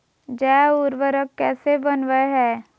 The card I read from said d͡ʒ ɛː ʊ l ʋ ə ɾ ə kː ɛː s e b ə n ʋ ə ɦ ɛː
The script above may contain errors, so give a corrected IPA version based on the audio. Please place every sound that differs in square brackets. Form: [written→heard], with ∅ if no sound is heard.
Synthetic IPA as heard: d͡ʒ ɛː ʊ [l→ɾ] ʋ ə ɾ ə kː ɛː s e b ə n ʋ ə ɦ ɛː